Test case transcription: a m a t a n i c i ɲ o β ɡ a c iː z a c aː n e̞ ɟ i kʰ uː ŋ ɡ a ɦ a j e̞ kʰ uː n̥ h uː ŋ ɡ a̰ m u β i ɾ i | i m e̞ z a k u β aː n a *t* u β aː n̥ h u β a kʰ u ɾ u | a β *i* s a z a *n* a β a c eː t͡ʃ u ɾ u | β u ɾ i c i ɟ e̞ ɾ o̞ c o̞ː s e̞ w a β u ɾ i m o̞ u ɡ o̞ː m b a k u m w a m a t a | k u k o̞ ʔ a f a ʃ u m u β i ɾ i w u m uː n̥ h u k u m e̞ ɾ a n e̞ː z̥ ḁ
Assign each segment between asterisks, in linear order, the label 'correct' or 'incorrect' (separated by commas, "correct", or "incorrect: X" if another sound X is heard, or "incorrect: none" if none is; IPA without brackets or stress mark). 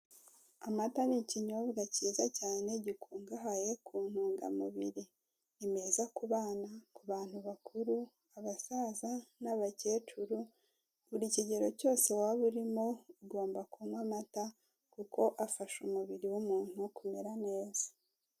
incorrect: k, incorrect: a, correct